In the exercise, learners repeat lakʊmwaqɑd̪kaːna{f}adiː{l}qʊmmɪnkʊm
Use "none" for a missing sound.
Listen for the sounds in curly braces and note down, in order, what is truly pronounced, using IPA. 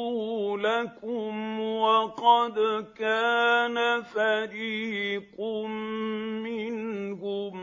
f, none

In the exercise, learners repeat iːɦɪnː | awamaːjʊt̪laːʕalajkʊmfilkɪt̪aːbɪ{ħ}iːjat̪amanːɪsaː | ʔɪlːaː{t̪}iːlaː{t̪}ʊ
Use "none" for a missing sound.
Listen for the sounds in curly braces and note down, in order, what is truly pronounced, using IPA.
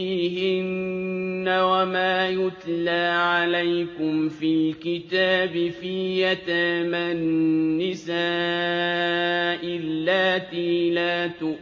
f, t̪, t̪

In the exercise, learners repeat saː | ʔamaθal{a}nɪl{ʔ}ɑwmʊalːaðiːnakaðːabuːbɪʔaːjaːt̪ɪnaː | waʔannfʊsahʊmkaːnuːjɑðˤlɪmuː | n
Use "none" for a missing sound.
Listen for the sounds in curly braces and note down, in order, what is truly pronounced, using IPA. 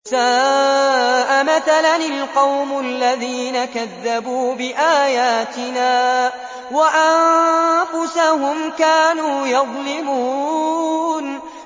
a, q

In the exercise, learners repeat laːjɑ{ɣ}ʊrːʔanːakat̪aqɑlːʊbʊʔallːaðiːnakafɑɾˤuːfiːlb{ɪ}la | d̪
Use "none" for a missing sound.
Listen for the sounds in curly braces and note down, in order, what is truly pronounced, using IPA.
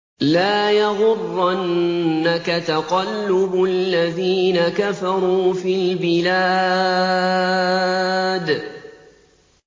ɣ, ɪ

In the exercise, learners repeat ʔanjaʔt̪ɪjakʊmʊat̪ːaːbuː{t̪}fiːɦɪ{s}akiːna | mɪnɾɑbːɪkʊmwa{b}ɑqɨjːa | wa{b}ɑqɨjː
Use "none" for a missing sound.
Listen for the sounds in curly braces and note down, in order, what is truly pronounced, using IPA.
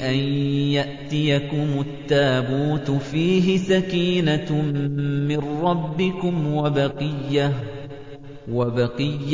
t̪, s, b, b

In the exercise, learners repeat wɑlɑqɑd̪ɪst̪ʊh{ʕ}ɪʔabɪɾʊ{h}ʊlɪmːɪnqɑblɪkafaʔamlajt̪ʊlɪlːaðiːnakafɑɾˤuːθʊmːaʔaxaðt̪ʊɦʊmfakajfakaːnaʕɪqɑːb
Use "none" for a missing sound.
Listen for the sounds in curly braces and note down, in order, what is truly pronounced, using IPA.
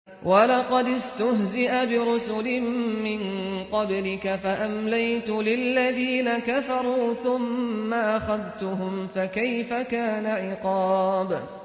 z, s

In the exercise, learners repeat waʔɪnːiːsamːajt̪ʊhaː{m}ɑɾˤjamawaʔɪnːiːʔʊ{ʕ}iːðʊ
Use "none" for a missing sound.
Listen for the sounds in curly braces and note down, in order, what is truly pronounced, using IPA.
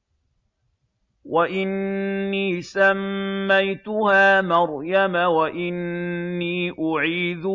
m, ʕ

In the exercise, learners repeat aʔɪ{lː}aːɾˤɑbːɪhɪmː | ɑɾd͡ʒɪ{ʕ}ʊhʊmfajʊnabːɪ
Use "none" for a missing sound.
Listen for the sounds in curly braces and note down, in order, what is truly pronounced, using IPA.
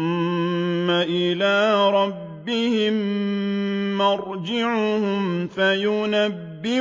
l, ʕ

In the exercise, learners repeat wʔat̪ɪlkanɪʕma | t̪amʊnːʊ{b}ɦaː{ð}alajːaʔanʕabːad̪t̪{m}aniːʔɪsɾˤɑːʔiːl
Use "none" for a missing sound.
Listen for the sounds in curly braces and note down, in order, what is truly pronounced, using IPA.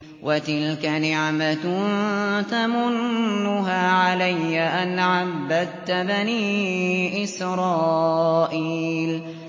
none, ʕ, b

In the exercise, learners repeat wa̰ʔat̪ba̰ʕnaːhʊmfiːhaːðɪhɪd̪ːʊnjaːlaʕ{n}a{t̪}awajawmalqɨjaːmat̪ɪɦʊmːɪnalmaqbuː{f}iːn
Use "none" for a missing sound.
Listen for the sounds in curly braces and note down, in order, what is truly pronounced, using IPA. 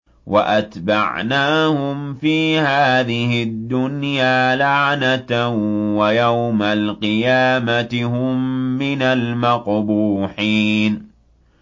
n, t̪, ħ

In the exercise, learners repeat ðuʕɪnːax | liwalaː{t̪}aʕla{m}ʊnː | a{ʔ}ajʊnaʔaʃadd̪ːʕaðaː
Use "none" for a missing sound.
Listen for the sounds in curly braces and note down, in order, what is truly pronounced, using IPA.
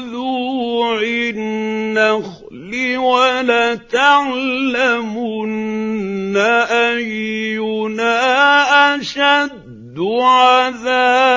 t̪, m, ʔ

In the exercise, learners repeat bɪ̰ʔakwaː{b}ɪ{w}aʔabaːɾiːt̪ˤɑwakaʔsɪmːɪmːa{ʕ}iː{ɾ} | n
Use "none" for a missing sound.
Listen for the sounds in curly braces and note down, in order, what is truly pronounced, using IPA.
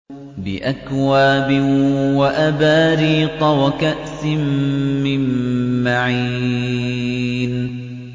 b, w, ʕ, none

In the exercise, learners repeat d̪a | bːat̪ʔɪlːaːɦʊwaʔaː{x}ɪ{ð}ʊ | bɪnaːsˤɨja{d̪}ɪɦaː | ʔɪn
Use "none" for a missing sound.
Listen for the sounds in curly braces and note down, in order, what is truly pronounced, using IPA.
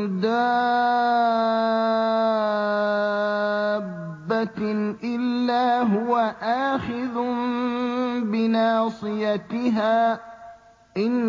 x, ð, t̪

